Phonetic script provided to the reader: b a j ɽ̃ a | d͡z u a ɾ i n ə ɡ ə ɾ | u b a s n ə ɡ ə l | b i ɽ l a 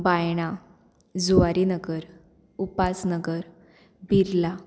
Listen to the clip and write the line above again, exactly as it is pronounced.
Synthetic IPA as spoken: b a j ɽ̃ a | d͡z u a ɾ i n ə ɡ ə ɾ | u p a s n ə ɡ ə ɾ | b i ɾ l a